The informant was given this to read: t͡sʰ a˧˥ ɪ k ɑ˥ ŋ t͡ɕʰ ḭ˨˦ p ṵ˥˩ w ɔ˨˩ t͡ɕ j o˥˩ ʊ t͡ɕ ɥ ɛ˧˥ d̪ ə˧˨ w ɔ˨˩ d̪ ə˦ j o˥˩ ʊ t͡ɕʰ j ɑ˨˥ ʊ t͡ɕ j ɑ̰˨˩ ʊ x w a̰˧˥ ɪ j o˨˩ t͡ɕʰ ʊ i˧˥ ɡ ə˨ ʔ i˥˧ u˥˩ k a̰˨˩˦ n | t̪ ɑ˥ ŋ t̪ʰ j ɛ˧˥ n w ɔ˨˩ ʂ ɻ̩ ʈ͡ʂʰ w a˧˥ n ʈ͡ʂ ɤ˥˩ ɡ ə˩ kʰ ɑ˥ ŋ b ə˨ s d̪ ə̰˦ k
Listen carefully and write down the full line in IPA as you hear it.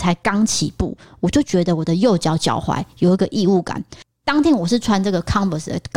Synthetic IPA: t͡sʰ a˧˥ ɪ k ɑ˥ ŋ t͡ɕʰ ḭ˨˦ p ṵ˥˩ w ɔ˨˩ t͡ɕ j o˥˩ ʊ t͡ɕ ɥ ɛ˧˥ d̪ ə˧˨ w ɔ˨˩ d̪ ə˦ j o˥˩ ʊ t͡ɕ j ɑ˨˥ ʊ t͡ɕ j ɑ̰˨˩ ʊ x w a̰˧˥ ɪ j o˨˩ ʊ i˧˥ ɡ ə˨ ʔ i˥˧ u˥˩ k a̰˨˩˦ n | t̪ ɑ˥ ŋ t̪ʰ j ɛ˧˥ n w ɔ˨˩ ʂ ɻ̩ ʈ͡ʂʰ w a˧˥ n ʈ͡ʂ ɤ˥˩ ɡ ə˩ kʰ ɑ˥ ŋ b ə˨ s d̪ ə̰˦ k